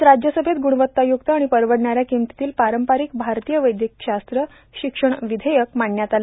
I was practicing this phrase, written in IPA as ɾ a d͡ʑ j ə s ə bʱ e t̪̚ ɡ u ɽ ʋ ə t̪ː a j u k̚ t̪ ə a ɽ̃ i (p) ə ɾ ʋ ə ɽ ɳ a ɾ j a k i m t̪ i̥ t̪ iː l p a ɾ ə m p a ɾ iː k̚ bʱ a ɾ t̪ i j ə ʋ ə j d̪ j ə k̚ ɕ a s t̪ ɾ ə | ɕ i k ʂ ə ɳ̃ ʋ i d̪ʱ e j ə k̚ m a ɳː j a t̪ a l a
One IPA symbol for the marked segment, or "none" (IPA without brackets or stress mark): p